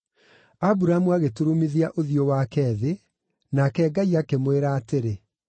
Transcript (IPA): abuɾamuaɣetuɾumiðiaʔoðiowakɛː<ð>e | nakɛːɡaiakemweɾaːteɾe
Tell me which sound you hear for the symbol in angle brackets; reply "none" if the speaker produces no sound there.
ð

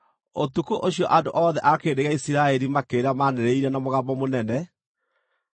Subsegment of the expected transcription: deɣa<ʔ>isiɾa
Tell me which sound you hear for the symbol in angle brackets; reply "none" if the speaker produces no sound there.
none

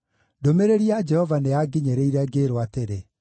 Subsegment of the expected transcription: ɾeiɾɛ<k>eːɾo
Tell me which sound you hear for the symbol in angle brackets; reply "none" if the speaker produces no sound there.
ɡ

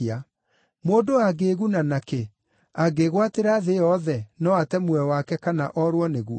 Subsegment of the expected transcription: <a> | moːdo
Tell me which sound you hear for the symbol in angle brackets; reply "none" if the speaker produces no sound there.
a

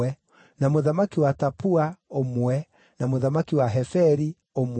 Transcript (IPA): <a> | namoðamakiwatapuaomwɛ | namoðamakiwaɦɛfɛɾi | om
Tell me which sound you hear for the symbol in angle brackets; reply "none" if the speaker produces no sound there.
ɛ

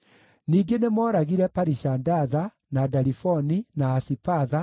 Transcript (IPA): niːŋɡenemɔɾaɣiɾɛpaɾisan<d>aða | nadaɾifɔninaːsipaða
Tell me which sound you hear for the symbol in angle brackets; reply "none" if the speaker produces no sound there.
d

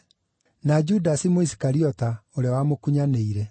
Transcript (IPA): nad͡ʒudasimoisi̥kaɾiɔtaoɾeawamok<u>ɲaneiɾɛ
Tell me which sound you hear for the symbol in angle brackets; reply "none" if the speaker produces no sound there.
u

